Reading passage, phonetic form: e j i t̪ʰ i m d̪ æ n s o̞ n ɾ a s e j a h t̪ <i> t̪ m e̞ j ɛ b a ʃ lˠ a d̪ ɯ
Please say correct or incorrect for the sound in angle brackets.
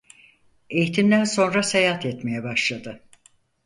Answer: incorrect